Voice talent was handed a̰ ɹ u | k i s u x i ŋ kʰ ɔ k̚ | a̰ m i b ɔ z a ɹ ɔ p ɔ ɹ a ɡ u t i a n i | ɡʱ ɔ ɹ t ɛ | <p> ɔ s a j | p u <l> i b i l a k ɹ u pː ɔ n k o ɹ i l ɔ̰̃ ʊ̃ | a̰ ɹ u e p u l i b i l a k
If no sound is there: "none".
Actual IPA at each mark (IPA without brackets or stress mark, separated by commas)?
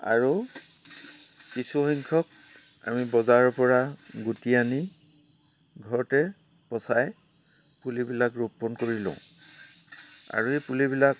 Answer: p, l